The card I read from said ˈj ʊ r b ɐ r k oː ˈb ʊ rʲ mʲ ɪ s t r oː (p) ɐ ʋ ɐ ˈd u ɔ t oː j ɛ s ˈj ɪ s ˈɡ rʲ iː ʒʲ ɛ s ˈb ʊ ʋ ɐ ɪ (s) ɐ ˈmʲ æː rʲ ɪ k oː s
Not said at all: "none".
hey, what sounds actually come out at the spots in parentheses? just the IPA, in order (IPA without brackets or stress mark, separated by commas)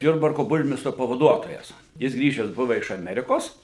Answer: p, ʃ